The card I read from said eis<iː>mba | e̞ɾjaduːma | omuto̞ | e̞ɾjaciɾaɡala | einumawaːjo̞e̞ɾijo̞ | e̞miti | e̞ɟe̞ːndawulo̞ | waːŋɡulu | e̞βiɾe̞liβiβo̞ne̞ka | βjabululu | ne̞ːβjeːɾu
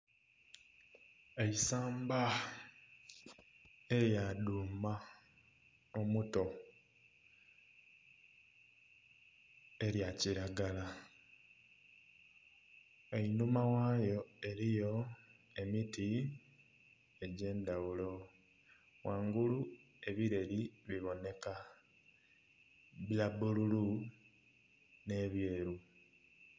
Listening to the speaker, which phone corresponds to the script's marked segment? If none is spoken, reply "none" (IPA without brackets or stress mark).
aː